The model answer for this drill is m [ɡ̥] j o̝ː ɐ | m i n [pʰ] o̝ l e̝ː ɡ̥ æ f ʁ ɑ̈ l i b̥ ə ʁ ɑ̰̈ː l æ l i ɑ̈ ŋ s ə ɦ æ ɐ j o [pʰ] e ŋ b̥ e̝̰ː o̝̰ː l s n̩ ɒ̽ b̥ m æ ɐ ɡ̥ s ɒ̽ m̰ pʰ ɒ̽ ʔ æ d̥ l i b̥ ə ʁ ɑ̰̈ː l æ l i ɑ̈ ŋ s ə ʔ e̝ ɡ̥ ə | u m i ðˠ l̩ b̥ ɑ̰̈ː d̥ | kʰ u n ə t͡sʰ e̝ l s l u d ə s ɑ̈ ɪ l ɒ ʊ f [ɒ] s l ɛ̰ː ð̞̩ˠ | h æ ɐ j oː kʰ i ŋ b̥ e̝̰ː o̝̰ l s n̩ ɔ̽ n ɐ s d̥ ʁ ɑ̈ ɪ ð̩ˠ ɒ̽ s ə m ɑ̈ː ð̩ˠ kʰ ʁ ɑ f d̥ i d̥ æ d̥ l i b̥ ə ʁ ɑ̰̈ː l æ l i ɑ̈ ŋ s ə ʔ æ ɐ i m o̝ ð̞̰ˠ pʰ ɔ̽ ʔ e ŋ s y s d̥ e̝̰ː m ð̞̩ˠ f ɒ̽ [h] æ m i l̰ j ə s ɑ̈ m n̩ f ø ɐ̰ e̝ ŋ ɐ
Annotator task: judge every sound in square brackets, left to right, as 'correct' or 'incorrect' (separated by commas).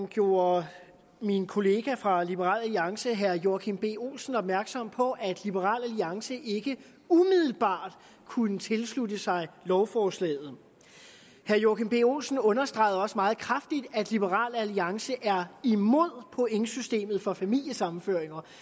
correct, incorrect, incorrect, incorrect, incorrect